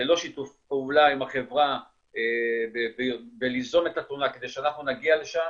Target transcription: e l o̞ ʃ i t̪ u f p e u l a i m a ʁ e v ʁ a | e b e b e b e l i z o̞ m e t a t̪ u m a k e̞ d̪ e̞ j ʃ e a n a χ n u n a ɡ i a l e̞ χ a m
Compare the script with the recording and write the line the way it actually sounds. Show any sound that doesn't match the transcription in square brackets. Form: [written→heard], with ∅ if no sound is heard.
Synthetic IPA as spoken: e l o̞ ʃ i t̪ u f p e u l a i m a [ʁ→χ] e v ʁ a | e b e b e b e l i z o̞ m e t a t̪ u [m→n] a k e̞ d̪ e̞ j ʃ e a n a χ n u n a ɡ i a l e̞ [χ→ʃ] a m